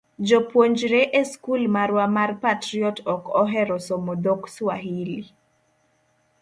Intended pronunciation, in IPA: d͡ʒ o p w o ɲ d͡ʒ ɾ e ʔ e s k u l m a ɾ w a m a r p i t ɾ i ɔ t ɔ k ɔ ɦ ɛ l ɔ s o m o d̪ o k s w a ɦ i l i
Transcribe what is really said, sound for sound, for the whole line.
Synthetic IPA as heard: d͡ʒ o p w o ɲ d͡ʒ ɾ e ʔ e s k u l m a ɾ w a m a r p a t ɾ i ɔ t ɔ k ɔ ɦ ɛ ɾ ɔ s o m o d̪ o k s w a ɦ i l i